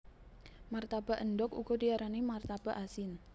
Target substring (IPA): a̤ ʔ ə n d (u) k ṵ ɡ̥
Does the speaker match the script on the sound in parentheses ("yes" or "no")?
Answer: no